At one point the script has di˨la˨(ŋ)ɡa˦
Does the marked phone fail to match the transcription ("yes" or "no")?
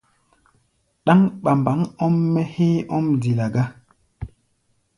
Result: yes